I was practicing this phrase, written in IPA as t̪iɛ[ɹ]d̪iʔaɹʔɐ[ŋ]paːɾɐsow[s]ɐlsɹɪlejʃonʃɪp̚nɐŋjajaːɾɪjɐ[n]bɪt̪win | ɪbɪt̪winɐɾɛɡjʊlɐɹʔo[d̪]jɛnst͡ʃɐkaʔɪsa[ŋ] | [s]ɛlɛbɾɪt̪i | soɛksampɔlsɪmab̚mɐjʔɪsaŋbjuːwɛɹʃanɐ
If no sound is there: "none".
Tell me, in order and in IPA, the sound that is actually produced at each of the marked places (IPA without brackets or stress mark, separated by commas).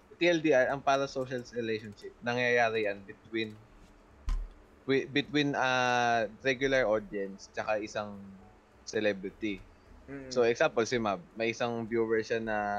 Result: l, ŋ, ʃ, n, d̪, ŋ, s